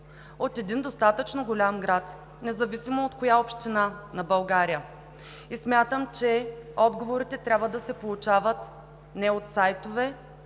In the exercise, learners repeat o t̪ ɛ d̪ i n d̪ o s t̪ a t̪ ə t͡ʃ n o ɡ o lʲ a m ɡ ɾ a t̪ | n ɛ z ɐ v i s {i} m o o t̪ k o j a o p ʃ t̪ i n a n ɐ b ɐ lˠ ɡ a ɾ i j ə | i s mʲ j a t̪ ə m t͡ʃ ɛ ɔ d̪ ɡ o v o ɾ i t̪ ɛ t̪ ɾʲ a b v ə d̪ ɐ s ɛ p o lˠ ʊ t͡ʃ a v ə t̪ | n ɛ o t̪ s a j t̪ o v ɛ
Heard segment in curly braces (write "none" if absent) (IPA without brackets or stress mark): i